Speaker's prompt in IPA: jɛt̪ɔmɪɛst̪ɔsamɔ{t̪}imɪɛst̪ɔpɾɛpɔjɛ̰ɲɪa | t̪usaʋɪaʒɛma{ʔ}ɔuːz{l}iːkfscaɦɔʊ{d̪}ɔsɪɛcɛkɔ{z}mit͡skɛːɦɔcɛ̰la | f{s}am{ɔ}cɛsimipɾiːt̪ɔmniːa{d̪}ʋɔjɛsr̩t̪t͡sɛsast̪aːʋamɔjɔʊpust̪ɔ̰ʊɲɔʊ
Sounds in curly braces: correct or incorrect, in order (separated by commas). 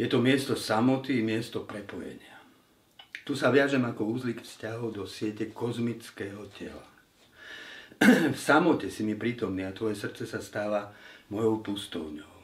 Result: correct, incorrect, correct, correct, correct, correct, correct, incorrect